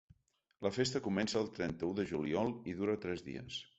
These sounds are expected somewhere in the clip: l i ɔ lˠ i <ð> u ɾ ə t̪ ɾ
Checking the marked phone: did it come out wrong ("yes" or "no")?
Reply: no